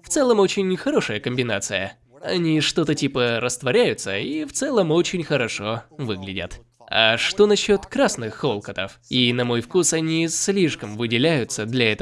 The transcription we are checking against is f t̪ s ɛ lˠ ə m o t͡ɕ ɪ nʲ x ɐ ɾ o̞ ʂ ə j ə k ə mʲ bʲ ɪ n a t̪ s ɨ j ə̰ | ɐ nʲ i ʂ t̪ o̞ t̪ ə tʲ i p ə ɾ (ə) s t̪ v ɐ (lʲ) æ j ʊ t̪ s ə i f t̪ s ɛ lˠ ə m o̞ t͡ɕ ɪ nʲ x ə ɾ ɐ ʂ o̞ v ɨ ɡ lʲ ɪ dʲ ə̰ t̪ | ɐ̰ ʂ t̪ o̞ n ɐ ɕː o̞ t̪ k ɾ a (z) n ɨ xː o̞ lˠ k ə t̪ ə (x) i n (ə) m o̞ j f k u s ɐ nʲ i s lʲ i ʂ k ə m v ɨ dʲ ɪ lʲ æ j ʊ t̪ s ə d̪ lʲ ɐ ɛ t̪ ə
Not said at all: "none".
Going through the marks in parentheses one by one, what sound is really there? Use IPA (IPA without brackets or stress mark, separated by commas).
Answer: ə, ɾʲ, s, f, ɐ